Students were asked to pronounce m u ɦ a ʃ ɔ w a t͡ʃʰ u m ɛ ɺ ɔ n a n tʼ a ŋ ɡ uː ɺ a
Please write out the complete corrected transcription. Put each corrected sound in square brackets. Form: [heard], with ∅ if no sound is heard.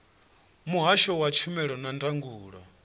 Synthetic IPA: m u ɦ a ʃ ɔ w a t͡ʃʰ u m ɛ ɺ ɔ n a n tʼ a ŋ ɡ uː ɺ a